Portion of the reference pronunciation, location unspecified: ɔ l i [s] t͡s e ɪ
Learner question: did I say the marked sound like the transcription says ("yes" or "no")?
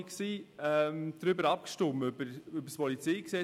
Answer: no